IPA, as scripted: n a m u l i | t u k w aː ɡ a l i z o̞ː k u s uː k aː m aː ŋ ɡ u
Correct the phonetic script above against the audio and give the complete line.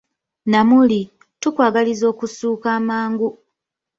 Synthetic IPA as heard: n a m u l i | t u k w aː ɡ a l i z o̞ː k u s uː k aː m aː ŋ ɡ u